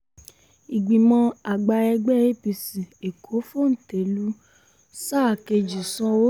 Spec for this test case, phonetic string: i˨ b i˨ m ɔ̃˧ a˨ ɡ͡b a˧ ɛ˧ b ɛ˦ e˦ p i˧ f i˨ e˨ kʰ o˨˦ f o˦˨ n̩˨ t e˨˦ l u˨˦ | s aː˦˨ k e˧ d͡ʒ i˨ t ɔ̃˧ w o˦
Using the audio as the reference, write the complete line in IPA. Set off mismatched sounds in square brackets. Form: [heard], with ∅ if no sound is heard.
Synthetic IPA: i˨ [ɡ͡b] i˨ m ɔ̃˧ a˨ ɡ͡b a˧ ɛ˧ [ɡ͡b] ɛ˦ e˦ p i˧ [s] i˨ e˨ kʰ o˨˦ f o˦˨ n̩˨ t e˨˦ l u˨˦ | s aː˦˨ k e˧ d͡ʒ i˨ [s] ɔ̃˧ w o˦